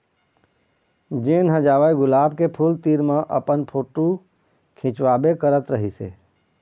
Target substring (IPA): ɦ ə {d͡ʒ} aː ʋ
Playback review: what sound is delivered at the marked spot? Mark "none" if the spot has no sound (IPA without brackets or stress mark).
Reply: d͡ʒ